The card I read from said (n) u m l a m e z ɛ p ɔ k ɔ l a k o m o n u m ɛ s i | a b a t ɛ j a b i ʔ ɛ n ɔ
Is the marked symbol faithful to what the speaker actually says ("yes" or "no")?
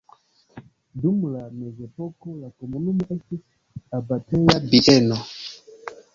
no